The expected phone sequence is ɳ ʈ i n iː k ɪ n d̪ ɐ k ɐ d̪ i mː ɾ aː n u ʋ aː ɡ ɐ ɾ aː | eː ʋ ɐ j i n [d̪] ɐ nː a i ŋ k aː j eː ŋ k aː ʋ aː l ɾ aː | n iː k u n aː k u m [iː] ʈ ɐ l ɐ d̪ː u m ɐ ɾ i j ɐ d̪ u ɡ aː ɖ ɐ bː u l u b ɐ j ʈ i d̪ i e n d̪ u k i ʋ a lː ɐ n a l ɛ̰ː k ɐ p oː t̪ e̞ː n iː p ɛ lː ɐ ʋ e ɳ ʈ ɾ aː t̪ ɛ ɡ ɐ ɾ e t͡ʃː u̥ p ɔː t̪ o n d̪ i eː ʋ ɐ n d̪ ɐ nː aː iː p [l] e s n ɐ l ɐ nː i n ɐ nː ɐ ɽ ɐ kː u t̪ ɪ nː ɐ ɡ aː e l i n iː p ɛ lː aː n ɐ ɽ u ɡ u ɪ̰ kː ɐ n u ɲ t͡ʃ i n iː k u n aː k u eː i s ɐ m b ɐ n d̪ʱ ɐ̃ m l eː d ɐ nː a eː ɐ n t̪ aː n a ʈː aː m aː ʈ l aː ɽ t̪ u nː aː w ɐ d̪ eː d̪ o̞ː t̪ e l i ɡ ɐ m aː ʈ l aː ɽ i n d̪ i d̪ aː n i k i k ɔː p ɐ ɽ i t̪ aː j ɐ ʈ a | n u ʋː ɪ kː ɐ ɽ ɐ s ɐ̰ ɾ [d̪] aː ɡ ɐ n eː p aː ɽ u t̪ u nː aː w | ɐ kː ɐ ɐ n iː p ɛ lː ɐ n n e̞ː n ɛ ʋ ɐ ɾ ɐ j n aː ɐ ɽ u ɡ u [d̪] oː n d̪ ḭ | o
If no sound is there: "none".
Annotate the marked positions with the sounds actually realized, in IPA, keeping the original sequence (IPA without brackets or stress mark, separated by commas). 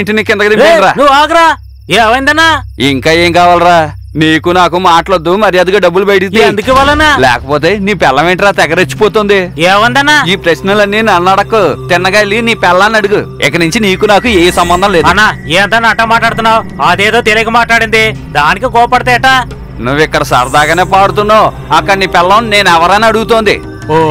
d̪, aː, ɾ, d̪, t̪